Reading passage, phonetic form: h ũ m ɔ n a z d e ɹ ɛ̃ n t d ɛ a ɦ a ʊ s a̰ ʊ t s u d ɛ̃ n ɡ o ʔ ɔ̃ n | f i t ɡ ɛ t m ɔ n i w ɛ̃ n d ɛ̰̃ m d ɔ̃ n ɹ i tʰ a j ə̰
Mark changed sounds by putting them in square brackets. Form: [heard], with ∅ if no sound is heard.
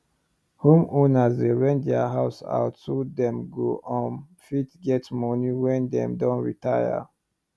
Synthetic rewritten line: h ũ m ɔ n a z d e ɹ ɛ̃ n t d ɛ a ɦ a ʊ s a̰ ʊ t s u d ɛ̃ [m] ɡ o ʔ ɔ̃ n | f i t ɡ ɛ t m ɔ n i w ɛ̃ n d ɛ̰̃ m d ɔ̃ n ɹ i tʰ a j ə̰